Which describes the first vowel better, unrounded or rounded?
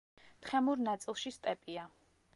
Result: unrounded